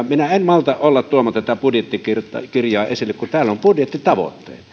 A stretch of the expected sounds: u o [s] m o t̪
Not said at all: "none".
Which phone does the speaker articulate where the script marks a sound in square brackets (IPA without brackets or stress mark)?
none